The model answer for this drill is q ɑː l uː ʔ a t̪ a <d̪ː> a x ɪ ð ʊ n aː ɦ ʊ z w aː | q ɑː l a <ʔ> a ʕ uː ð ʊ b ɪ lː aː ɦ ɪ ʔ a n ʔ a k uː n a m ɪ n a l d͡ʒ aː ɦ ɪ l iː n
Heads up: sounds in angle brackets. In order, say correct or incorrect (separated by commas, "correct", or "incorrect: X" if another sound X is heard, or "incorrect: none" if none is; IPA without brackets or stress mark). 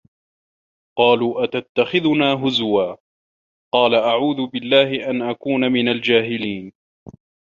incorrect: t̪ː, correct